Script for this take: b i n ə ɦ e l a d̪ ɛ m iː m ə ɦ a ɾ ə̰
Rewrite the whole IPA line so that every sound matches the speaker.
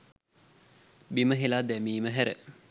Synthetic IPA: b i m ə ɦ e l a d̪ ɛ m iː m ə ɦ æ ɾ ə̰